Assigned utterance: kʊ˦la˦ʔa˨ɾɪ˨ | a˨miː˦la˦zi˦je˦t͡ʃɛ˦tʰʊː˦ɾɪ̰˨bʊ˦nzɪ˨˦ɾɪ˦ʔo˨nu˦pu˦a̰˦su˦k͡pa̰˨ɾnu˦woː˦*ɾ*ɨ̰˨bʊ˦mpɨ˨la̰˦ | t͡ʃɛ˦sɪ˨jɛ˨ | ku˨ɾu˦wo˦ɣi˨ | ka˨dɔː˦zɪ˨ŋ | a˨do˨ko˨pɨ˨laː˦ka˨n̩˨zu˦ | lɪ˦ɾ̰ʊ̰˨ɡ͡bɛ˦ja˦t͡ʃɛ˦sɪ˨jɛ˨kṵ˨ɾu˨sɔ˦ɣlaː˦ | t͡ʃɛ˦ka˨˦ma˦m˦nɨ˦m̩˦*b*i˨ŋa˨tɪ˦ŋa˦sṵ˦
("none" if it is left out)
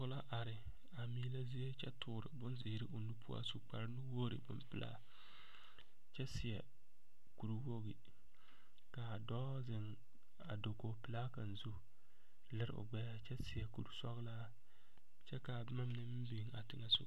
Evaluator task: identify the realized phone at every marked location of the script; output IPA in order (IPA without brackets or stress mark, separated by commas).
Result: ɾ, b